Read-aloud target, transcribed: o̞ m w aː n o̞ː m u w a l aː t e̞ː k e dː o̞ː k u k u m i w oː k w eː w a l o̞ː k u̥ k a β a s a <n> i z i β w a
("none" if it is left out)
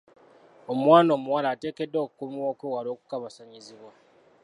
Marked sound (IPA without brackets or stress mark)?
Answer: ɲ